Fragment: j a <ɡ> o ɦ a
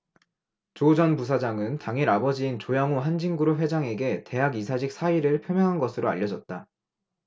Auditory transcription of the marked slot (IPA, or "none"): ŋ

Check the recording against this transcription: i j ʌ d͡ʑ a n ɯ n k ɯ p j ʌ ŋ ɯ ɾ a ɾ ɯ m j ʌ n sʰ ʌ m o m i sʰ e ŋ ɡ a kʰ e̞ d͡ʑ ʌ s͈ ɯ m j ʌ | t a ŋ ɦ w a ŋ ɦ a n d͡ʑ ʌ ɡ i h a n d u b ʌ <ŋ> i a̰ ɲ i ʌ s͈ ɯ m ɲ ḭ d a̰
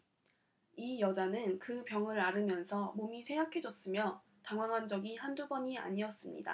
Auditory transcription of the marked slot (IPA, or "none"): ɲ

